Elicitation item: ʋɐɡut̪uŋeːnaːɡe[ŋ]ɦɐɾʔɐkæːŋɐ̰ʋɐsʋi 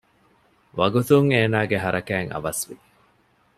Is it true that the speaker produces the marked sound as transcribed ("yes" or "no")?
no